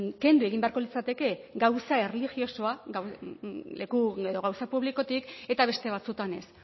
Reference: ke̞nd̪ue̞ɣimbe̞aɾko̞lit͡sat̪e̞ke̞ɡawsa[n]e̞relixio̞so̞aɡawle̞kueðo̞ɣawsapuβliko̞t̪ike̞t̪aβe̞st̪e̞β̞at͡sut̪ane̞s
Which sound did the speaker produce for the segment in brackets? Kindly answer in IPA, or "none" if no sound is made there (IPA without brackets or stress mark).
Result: none